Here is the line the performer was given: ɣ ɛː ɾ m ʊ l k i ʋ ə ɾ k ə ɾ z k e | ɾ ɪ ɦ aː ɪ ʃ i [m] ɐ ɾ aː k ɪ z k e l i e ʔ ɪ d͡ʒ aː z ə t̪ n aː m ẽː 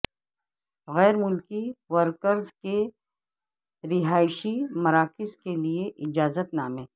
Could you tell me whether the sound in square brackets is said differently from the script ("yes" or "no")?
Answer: no